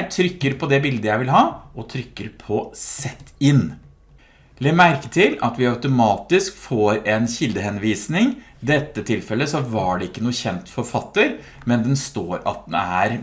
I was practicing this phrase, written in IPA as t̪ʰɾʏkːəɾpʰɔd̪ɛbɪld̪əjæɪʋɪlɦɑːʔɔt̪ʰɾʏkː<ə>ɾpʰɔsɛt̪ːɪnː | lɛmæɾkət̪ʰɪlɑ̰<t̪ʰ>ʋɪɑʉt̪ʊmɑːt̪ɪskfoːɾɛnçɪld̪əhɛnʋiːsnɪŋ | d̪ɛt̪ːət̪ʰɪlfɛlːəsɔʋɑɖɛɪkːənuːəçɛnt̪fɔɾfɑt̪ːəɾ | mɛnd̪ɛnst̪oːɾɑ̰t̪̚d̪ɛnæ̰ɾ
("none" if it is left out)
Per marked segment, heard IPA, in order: ə, t̪

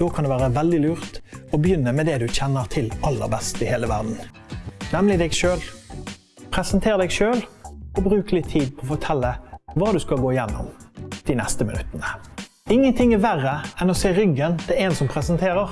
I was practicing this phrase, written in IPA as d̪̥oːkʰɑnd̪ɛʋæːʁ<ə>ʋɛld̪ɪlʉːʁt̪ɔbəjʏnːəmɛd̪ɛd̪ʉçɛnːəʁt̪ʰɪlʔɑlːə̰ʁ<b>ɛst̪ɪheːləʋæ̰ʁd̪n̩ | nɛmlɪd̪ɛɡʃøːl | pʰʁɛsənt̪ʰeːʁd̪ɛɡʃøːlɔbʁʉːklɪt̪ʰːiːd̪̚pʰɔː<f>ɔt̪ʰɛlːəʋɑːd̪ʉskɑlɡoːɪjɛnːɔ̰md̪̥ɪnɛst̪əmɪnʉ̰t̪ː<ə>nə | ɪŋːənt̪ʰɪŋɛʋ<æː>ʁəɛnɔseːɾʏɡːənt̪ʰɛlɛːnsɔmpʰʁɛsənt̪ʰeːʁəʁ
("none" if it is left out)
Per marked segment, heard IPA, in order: ə, b, f, ə, æ

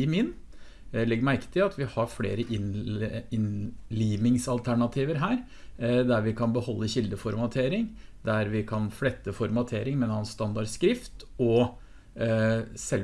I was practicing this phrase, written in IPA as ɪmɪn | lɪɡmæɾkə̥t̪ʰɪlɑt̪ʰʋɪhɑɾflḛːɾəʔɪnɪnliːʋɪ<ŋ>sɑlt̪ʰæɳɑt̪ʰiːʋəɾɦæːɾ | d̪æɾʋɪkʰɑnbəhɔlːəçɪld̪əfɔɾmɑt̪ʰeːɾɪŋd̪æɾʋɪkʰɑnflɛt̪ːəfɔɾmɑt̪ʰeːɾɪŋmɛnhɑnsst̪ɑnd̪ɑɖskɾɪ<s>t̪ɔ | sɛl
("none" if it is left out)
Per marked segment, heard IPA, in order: ŋ, f

